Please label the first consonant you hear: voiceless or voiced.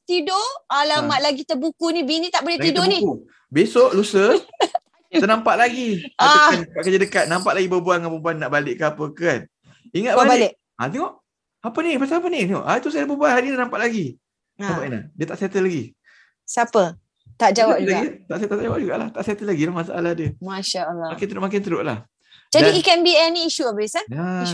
voiceless